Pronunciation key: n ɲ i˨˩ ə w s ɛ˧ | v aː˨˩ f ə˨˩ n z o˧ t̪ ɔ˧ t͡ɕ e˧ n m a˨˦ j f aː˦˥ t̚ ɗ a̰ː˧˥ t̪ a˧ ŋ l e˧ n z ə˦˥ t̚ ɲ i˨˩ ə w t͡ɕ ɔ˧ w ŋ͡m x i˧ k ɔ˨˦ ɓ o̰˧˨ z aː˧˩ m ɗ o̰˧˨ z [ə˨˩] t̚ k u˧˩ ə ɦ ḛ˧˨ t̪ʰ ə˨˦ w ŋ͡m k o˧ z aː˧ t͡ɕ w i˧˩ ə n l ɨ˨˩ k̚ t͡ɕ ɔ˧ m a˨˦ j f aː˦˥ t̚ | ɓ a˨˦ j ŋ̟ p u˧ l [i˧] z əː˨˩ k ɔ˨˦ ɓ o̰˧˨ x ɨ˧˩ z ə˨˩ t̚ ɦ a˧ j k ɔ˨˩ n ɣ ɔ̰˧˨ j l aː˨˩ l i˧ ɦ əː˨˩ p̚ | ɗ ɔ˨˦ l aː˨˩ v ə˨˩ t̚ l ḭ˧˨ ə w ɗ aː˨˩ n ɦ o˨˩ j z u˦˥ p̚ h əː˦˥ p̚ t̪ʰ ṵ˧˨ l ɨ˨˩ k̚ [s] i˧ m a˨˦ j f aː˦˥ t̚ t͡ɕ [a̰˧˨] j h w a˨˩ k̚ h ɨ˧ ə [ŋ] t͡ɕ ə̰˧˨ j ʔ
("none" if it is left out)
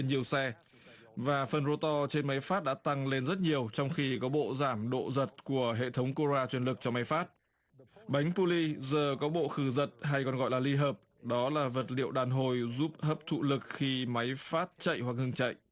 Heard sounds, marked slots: ə˨˩, i˧, x, ə̰˧˨, ŋ

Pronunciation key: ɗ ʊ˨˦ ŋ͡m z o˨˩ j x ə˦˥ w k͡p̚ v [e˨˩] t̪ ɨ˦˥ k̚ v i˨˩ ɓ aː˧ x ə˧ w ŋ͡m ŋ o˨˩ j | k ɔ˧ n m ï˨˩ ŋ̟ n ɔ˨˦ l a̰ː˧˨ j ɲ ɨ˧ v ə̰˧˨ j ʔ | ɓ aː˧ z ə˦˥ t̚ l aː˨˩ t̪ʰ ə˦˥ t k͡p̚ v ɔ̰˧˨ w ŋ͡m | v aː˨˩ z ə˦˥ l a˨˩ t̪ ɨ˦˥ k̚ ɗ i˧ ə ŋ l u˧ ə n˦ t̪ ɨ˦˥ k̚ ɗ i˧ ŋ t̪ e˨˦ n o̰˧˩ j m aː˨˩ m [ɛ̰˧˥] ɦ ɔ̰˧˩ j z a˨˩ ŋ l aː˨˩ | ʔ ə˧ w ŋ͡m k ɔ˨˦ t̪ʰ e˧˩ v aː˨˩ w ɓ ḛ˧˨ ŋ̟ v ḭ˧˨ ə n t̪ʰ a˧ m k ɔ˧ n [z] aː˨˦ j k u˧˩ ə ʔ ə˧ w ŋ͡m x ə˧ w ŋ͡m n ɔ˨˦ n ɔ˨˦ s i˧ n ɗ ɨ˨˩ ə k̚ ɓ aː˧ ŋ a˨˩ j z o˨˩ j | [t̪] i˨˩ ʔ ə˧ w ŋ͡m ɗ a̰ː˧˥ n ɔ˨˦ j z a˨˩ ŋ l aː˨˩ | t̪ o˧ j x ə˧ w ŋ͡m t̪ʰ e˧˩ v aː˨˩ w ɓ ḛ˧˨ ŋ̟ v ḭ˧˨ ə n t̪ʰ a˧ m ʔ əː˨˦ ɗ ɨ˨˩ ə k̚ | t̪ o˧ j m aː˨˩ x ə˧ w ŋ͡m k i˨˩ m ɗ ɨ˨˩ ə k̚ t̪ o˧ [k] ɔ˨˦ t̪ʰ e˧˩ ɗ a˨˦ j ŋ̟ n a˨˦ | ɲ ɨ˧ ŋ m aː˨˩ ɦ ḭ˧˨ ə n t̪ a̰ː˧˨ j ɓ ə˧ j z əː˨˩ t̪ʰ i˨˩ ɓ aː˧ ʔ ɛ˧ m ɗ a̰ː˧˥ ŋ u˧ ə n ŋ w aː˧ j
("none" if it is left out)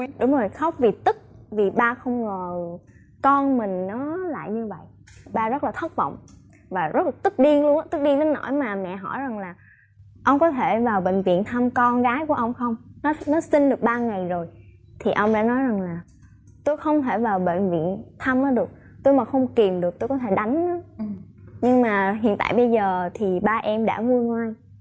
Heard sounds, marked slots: i˨˩, ɛ̰˧˨, ɣ, t̪ʰ, k

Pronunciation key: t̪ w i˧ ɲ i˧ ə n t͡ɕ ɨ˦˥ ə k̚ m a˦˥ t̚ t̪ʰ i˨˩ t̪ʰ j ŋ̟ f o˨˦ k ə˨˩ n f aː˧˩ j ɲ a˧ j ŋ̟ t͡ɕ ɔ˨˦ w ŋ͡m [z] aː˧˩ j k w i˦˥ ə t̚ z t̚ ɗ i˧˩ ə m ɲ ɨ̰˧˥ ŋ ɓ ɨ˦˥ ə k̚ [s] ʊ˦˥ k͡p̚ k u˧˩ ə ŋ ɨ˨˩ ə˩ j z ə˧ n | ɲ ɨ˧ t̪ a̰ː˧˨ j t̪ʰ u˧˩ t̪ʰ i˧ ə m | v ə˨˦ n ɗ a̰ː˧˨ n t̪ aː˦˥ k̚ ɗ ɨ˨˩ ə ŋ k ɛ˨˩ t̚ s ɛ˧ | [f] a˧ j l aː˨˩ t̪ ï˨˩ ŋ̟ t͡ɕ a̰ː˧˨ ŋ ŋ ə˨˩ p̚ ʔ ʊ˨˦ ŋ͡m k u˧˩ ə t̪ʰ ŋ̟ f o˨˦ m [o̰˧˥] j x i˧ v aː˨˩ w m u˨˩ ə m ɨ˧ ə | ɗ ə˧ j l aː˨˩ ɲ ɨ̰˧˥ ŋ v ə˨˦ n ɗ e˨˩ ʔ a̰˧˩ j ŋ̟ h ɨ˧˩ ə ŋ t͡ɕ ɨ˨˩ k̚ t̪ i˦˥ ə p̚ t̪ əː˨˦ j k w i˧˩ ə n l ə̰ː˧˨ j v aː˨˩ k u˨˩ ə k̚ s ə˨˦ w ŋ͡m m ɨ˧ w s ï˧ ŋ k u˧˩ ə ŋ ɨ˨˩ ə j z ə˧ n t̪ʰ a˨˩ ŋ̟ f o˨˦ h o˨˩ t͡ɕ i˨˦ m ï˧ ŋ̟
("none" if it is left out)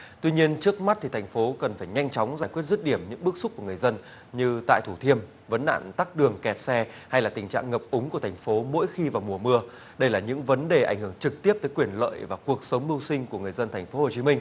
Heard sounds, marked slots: z, s, h, o̰˧˥

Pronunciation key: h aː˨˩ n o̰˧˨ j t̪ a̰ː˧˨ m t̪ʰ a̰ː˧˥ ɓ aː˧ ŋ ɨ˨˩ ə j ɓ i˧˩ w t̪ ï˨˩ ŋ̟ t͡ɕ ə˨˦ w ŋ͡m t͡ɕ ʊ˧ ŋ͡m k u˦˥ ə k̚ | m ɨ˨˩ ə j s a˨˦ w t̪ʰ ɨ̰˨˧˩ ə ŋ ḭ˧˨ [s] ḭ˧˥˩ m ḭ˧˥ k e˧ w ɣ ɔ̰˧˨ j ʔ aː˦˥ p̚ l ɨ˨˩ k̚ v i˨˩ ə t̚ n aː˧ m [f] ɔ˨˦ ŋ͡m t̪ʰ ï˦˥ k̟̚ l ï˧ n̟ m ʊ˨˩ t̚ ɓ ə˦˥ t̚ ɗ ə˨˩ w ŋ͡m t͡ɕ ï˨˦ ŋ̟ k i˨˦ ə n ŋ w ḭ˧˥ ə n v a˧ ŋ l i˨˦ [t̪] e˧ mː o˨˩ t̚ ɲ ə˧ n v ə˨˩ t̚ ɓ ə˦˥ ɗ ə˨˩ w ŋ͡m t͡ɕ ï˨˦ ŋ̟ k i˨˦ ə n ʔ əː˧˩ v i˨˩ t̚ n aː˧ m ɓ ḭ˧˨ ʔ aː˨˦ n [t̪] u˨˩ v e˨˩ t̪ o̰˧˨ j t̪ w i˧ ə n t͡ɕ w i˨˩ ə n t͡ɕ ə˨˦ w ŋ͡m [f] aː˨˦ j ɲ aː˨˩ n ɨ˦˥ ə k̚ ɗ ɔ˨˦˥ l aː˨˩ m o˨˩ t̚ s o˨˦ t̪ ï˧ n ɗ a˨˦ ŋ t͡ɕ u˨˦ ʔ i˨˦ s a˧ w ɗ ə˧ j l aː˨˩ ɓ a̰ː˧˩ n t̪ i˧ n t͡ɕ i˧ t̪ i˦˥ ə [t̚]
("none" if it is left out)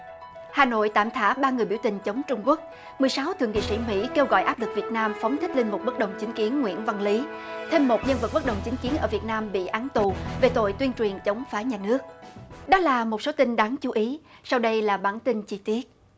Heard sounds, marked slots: s, f, t̪ʰ, t̪, f, t̚

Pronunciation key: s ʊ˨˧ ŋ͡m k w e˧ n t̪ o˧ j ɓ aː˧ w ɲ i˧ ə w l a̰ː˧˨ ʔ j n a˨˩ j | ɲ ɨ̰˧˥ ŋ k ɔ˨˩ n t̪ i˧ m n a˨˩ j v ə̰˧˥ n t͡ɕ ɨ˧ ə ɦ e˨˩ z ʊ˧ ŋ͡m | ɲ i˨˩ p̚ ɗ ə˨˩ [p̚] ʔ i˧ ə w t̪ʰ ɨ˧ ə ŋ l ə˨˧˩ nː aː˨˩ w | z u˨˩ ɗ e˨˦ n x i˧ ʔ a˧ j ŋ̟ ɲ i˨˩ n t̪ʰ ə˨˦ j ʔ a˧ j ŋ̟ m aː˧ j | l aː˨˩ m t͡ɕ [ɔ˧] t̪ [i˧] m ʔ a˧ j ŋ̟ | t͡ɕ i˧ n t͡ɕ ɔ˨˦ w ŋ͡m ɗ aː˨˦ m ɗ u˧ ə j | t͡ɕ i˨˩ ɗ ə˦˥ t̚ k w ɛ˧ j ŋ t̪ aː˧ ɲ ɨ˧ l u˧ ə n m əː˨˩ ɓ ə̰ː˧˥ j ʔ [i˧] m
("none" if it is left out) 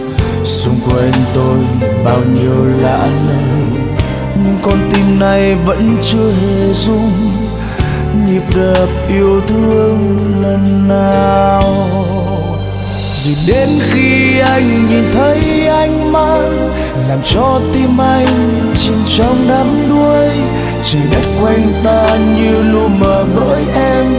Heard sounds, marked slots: p̚, ɔ˧, i˧, ɛ˧

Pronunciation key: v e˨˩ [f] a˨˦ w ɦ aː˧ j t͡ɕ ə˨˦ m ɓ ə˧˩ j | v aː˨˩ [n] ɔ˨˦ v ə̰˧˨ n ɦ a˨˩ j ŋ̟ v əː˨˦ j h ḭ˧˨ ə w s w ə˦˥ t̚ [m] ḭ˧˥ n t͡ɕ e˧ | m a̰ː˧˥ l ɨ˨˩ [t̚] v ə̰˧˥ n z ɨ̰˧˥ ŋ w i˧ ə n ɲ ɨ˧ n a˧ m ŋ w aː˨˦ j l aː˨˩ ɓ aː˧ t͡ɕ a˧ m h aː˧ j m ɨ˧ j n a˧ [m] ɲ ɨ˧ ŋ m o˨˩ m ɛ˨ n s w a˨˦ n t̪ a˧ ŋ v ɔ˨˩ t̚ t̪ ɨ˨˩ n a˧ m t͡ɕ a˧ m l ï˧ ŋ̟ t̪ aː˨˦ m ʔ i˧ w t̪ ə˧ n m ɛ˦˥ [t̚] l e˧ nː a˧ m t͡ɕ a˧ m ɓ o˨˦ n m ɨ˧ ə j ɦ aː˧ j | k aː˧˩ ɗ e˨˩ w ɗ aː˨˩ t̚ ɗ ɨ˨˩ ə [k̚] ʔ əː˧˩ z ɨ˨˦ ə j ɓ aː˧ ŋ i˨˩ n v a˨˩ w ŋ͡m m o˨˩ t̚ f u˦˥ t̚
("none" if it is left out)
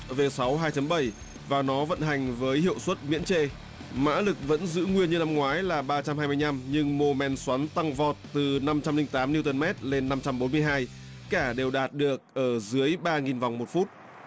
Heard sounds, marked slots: s, n, m, k̚, m, t̚, k̚

